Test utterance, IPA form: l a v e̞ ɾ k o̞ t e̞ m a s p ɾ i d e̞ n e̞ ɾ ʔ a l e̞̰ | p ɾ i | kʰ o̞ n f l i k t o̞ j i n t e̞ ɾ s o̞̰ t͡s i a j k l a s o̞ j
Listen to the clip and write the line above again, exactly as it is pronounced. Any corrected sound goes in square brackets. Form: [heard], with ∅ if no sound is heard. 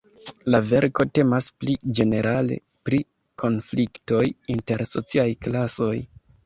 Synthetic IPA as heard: l a v e̞ ɾ k o̞ t e̞ m a s p [l] i [d͡ʒ] e̞ n e̞ ɾ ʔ a l e̞̰ | p ɾ i | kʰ o̞ n f l i k t o̞ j i n t e̞ ɾ s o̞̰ t͡s i a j k l a s o̞ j